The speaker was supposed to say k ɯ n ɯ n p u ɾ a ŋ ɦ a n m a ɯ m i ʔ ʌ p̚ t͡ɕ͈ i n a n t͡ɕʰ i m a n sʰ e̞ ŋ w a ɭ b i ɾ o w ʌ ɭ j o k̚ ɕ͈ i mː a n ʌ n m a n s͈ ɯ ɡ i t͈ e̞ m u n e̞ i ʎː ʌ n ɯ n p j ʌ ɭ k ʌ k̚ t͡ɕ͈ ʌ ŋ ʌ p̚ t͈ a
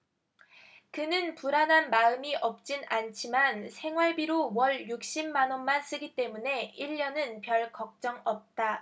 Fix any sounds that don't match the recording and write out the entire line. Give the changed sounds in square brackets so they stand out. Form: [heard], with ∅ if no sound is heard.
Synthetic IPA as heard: k ɯ n ɯ n p u ɾ a [n] ɦ a n m a ɯ m i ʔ ʌ p̚ t͡ɕ͈ i n a n t͡ɕʰ i m a n sʰ e̞ ŋ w a ɭ b i ɾ o w ʌ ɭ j [u] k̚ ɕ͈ i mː a n ʌ n m a n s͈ ɯ ɡ i t͈ e̞ m u n e̞ i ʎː ʌ n ɯ n p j ʌ ɭ k ʌ k̚ t͡ɕ͈ ʌ ŋ ʌ p̚ t͈ a